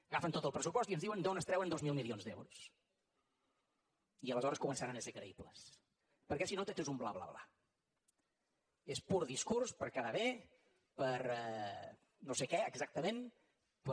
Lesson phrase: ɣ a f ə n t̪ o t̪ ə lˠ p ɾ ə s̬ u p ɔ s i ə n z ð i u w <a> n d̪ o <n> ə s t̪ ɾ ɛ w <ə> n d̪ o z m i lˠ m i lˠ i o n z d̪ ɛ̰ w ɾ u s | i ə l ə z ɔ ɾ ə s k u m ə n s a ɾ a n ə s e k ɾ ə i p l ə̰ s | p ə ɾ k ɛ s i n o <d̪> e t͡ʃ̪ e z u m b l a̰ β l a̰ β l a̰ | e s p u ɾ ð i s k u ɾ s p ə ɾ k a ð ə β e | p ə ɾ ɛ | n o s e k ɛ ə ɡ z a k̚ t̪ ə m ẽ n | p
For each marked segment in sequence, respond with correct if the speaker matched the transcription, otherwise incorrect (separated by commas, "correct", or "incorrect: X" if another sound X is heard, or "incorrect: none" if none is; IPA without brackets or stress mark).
incorrect: ə, correct, correct, incorrect: t̪